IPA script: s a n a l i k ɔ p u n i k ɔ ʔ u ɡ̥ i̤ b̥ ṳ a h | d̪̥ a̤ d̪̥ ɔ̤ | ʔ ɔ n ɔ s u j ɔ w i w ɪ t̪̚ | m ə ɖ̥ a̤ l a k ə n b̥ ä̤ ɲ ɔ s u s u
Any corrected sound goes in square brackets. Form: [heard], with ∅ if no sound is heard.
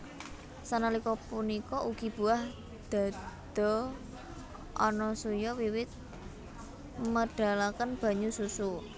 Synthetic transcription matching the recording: s a n a l i k ɔ p u n i k ɔ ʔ u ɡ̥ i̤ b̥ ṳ a h | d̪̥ a̤ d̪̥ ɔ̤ | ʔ ɔ n ɔ s u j ɔ w i w ɪ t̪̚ | m ə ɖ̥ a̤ l a k ə n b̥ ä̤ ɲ [u] s u s u